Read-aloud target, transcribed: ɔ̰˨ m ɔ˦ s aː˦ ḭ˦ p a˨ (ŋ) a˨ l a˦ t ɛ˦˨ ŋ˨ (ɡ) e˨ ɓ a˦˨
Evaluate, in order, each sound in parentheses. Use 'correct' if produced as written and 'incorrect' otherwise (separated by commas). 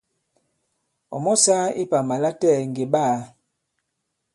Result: incorrect, correct